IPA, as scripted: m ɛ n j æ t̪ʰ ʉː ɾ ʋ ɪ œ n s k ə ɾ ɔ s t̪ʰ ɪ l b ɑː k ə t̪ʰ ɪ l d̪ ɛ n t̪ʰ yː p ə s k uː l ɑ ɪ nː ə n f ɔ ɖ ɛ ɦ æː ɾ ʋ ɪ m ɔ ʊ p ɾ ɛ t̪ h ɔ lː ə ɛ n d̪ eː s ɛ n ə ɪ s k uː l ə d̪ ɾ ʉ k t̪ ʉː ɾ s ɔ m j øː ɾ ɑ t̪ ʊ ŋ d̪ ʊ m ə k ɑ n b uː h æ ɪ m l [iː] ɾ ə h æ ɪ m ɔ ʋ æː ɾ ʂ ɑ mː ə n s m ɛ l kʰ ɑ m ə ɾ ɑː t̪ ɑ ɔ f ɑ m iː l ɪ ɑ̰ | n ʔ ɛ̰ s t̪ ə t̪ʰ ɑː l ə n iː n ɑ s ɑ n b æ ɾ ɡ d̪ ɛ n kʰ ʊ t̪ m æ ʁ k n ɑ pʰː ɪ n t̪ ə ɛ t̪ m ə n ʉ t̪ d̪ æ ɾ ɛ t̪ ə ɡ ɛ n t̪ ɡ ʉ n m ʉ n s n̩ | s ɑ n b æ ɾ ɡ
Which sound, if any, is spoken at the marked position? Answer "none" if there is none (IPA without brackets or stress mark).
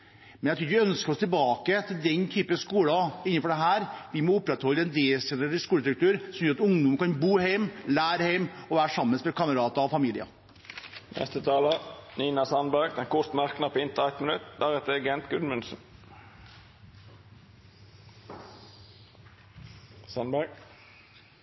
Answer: æː